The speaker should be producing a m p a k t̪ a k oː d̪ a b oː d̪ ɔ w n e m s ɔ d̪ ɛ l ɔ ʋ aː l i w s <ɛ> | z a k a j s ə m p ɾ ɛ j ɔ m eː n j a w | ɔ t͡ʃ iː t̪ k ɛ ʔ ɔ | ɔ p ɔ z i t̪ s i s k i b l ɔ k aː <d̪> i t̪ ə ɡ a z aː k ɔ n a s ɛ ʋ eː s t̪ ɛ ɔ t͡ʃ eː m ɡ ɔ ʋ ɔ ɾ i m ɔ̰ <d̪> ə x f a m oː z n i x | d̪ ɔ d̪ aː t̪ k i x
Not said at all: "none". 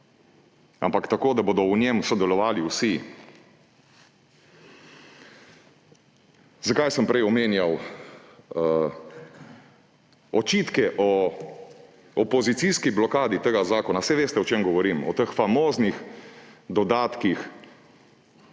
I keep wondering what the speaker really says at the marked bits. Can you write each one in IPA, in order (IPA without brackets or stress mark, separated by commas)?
i, d̪, t̪